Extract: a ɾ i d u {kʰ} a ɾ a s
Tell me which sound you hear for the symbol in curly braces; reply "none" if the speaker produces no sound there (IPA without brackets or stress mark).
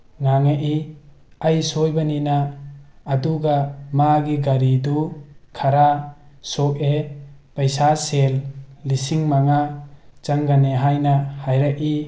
kʰ